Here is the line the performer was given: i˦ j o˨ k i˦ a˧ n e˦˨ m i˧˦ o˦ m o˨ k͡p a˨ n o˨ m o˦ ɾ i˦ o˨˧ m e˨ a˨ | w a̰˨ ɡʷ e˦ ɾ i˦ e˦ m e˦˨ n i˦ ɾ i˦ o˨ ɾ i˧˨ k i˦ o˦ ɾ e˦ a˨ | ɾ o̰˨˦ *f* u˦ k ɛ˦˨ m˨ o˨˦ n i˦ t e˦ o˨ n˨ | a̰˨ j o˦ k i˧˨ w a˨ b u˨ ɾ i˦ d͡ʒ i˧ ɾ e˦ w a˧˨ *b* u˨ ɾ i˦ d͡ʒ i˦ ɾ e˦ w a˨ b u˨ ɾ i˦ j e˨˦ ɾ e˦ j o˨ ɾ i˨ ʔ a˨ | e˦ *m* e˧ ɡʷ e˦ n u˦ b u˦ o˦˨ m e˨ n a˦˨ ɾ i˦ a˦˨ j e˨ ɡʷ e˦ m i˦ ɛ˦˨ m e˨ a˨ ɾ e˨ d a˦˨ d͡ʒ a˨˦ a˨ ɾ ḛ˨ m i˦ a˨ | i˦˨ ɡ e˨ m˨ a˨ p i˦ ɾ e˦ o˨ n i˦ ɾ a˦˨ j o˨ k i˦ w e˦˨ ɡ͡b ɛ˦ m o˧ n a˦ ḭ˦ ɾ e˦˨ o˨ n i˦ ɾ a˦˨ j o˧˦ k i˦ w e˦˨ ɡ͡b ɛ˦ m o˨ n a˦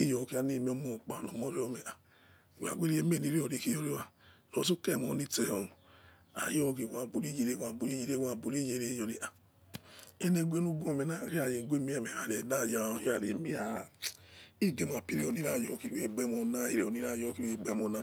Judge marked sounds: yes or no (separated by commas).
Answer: no, yes, no